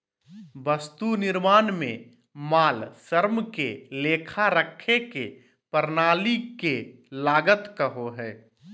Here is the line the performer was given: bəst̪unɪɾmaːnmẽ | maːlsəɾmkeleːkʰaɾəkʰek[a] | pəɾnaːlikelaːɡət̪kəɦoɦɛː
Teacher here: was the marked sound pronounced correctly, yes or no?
no